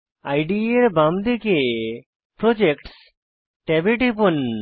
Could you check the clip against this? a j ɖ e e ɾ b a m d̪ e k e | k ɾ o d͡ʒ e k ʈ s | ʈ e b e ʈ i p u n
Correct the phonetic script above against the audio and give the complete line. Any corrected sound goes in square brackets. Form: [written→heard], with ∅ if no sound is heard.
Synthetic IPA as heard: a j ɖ [e→i] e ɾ b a m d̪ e k e | [k→p] ɾ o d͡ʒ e k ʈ s | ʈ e b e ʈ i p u n